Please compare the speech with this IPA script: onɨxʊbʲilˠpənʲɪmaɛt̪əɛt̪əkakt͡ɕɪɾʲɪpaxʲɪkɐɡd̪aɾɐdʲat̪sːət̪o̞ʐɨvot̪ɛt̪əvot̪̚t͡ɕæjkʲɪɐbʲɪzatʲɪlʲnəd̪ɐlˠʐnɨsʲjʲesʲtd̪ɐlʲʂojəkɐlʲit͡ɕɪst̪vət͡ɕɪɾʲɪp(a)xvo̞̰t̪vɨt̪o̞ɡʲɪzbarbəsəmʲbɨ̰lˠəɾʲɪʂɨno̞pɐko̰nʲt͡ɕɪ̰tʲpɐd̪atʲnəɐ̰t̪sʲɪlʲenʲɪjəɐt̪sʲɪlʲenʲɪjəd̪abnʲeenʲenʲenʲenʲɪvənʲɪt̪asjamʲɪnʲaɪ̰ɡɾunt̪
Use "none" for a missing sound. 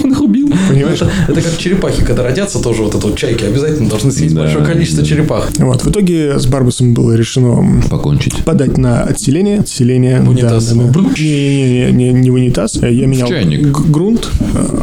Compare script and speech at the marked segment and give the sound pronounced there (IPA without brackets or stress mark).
a